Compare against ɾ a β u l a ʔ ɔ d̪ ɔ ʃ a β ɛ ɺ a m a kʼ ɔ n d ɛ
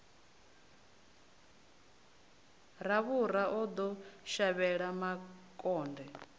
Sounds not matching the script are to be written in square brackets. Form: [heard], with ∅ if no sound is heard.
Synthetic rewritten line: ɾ a β u [ɾ] a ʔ ɔ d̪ ɔ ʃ a β ɛ ɺ a m a kʼ [ɔː] n d ɛ